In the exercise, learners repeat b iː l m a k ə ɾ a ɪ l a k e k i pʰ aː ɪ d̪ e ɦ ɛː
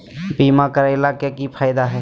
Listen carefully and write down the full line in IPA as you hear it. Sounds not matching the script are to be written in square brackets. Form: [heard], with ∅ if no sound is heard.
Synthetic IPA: b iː [∅] m a k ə ɾ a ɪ l a k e k i pʰ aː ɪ d̪ [a] ɦ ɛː